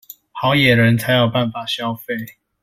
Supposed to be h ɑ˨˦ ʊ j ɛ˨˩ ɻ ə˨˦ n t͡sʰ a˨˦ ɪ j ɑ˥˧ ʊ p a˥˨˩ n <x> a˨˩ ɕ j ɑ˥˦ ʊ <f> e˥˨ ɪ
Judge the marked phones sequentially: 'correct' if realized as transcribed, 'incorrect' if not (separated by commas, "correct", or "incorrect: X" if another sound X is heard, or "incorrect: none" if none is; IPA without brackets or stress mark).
incorrect: f, correct